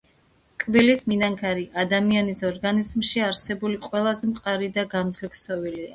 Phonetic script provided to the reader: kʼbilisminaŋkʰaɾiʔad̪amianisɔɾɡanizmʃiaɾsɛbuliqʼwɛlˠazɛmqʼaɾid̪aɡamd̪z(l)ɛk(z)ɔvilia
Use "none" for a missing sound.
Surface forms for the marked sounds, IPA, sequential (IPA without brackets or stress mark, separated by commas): l, s